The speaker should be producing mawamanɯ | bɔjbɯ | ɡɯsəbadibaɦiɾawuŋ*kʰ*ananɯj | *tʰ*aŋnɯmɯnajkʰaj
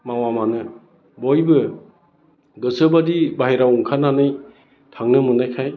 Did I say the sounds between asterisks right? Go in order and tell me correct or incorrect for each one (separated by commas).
correct, correct